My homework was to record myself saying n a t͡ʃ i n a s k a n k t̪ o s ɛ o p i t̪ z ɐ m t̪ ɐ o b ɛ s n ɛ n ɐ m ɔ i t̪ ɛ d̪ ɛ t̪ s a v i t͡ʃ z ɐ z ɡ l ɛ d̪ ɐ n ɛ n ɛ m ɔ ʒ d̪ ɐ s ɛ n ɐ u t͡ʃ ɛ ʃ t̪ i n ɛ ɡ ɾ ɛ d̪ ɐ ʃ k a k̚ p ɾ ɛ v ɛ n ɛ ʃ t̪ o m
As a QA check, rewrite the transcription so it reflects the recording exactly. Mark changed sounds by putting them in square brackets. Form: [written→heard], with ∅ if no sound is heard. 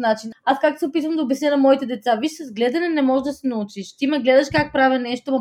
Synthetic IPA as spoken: n a t͡ʃ i n a s k a [n→∅] k t̪ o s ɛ o p i t̪ [z→v] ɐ m [t̪→d̪] ɐ o b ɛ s n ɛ n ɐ m ɔ i t̪ ɛ d̪ ɛ t̪ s a v i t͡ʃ [z→s] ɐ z ɡ l ɛ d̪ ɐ n ɛ n ɛ m ɔ ʒ d̪ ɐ s ɛ n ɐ u t͡ʃ [ɛ→i] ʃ t̪ i [n→m] ɛ ɡ [ɾ→l] ɛ d̪ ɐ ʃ k a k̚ p ɾ [ɛ→a] v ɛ n ɛ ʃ t̪ o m